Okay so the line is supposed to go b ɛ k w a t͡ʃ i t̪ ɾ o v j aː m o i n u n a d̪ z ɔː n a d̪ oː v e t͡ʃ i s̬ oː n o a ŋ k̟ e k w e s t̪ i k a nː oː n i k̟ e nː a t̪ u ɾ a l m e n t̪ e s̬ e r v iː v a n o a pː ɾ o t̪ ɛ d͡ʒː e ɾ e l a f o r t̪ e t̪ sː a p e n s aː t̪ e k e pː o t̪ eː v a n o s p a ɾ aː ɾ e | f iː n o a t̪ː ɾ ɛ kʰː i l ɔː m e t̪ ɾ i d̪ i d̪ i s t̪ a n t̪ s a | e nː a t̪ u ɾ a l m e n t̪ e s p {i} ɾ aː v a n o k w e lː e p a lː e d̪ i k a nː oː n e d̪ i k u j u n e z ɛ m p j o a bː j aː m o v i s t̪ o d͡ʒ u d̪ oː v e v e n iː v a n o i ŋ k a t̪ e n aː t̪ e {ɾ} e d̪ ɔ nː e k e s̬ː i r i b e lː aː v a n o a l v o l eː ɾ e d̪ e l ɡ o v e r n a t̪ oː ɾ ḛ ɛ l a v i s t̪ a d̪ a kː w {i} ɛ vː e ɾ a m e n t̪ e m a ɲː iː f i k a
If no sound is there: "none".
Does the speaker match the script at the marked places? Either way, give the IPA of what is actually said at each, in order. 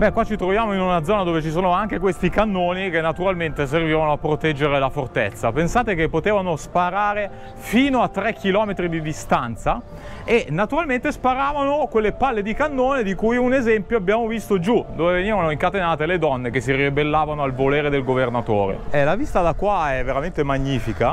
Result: a, l, a

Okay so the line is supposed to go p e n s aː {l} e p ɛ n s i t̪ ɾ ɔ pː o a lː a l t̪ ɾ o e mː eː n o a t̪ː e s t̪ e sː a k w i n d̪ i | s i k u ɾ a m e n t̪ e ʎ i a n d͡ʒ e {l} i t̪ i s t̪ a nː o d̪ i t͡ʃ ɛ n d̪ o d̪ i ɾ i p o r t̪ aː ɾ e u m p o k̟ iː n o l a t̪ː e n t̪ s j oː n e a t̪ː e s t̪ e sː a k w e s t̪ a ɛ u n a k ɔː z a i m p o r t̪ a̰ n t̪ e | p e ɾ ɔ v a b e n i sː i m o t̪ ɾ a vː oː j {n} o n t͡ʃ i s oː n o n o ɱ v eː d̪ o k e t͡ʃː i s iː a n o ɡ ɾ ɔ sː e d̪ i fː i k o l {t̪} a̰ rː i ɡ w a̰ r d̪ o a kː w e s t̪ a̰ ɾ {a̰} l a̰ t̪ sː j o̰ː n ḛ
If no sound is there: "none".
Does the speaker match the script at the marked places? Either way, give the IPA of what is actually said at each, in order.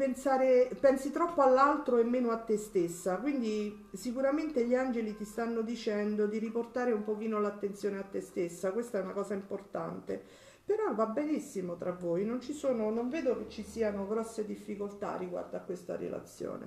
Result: ɾ, l, n, t̪, ḛ

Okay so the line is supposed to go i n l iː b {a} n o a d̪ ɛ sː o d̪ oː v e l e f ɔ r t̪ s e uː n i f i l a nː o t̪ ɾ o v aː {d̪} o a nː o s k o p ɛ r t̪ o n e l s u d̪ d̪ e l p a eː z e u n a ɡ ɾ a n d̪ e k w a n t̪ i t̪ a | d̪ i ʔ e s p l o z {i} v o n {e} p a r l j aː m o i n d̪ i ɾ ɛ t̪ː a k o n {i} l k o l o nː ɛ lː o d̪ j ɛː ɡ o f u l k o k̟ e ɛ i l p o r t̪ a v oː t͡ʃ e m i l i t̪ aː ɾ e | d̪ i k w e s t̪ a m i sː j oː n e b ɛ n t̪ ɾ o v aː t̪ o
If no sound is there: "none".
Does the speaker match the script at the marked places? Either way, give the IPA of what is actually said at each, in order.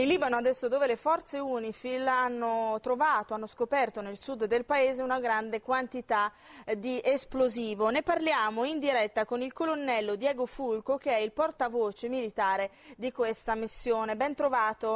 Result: a, t̪, iː, e, i

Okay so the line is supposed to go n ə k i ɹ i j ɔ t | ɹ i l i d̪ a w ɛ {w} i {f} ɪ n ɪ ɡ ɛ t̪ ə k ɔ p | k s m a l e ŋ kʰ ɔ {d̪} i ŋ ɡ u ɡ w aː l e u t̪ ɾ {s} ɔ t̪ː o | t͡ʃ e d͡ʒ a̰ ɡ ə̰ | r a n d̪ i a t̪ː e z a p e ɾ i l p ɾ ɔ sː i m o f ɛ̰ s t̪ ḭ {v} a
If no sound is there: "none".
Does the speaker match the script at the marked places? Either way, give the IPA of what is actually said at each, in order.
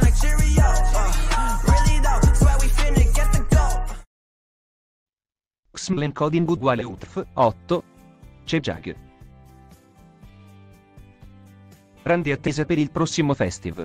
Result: w, f, d̪, f, v

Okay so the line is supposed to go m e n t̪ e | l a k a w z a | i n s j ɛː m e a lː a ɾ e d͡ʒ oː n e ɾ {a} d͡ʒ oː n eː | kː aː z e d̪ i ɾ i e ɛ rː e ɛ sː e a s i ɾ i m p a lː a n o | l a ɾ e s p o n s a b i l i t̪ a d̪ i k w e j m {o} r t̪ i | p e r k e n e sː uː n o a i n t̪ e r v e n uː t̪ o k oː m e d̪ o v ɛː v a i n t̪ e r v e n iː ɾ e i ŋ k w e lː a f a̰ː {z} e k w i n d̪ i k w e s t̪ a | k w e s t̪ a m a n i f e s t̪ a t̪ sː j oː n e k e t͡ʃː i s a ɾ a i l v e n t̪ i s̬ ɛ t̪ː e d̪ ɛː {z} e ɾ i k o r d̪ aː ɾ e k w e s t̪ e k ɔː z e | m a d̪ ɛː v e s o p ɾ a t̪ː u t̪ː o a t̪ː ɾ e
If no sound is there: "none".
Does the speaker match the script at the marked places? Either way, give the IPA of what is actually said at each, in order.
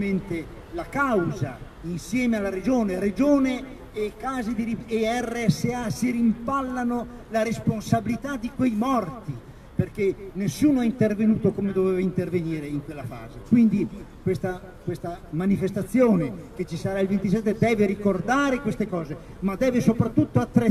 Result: e, ɔ, z, v

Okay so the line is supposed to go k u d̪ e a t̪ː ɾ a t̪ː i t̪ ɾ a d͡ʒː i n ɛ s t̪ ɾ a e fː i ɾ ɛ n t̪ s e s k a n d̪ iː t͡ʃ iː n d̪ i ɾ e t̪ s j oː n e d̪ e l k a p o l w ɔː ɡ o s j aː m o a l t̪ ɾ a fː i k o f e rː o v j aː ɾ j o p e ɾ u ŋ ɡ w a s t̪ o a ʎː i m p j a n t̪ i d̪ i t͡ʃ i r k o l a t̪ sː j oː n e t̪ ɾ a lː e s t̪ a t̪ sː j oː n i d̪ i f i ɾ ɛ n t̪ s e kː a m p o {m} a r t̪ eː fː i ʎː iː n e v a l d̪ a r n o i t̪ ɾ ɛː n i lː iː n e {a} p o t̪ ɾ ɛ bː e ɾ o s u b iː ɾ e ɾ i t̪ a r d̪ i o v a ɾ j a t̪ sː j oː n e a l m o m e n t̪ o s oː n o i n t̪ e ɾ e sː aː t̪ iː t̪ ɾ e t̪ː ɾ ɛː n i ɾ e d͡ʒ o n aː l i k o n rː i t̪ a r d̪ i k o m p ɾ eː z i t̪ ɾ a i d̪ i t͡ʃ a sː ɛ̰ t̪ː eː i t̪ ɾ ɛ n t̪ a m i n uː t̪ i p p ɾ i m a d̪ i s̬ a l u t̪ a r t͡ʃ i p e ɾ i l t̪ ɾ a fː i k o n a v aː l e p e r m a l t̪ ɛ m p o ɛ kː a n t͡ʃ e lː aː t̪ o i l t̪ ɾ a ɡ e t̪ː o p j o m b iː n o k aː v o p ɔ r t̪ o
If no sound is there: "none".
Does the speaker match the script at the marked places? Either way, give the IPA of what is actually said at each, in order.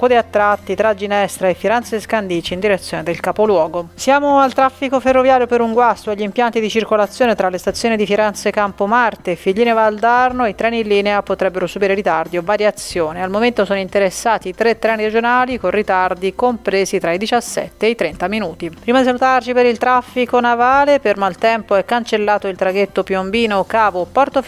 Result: m, a

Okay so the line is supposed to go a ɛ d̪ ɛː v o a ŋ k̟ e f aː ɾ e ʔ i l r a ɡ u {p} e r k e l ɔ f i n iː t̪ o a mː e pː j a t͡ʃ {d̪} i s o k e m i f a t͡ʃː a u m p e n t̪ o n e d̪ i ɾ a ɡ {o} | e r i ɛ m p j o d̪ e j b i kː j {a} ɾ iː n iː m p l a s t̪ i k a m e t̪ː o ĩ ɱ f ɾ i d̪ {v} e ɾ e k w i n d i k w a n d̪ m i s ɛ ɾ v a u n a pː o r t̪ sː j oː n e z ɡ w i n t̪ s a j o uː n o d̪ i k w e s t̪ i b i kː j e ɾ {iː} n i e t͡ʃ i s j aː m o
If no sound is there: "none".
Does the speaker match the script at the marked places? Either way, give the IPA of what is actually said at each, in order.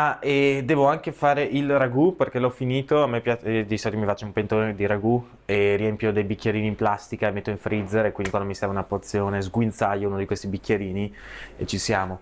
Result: p, d̪, u, e, z, iː

